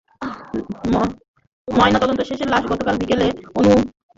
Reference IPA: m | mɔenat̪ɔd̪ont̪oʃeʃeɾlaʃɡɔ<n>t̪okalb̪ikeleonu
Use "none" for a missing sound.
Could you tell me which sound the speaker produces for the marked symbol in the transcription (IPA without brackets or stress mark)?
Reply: none